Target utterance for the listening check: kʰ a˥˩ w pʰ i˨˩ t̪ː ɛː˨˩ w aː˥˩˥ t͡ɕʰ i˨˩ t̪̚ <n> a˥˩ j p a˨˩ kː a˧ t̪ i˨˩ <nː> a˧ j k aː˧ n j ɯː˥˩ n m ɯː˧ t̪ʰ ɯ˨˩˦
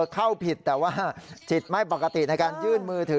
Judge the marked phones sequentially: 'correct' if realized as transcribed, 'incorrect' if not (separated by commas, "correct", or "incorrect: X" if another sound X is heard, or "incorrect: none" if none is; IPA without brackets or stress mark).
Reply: incorrect: m, incorrect: n